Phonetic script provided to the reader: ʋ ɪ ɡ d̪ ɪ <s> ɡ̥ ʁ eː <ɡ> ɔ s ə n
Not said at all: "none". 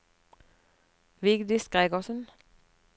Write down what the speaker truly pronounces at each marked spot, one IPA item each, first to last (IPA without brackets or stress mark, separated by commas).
s, ɡ